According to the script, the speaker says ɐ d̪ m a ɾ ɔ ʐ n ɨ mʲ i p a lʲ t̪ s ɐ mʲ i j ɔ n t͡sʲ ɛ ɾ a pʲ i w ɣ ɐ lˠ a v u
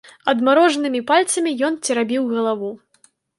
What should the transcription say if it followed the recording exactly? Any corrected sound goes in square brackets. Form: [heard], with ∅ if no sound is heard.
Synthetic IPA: ɐ d̪ m a ɾ ɔ ʐ n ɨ mʲ i p a lʲ t̪ s ɐ mʲ i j ɔ n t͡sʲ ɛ ɾ a [bʲ] i w ɣ ɐ lˠ a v u